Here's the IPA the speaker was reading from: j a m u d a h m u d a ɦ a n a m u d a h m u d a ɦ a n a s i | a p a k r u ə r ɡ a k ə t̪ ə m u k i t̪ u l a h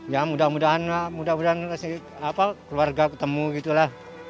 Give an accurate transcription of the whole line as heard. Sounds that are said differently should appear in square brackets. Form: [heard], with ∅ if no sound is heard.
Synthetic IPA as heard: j a m u d a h m u d a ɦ a n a m u d a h m u d a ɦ a n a s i | a p a k [l] u [a] r ɡ a k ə t̪ ə m u [ɡ] i t̪ u l a h